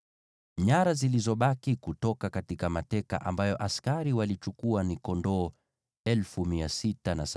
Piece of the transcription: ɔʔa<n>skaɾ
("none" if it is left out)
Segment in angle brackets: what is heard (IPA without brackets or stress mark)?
none